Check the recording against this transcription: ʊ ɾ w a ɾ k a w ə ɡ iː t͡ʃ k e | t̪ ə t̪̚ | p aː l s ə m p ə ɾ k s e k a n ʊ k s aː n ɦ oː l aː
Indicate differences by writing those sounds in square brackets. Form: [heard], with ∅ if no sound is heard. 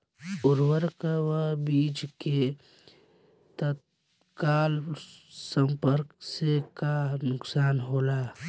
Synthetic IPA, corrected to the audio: ʊ ɾ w [ə] ɾ k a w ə [b] iː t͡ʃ k e | t̪ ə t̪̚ | [k] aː l s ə m p ə ɾ k s e k a n ʊ k s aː n ɦ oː l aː